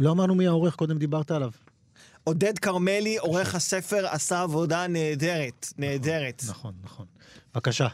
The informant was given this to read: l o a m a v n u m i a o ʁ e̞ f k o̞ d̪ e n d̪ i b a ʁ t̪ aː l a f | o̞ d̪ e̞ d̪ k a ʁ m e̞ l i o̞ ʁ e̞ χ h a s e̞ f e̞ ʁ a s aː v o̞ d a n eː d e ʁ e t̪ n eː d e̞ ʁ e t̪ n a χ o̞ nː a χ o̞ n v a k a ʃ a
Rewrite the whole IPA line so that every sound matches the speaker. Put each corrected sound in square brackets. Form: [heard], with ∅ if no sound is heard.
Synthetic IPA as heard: l o a m a [ʁ] n u m i a o ʁ e̞ [χ] k o̞ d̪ e [m] d̪ i b a ʁ t̪ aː l a [v] | o̞ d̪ e̞ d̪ k a ʁ m e̞ l i o̞ ʁ e̞ χ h a s e̞ f e̞ ʁ a s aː v o̞ d a n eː d e ʁ e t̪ n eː d e̞ ʁ e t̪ n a χ o̞ nː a χ o̞ n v a k a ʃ a